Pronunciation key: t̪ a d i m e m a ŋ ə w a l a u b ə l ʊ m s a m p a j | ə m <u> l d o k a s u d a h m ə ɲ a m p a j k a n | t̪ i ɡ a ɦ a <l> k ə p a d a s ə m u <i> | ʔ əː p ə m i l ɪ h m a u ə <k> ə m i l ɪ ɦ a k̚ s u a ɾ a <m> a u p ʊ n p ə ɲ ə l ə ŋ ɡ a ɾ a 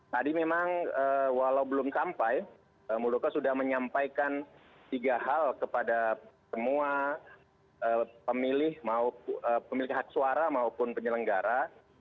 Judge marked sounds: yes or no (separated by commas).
yes, yes, no, no, yes